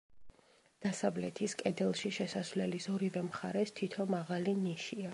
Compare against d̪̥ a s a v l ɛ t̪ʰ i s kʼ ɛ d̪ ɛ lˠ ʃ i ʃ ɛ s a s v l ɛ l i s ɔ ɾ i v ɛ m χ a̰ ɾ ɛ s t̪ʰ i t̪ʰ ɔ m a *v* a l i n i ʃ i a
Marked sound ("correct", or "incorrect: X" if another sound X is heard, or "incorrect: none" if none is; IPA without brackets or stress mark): incorrect: ʁ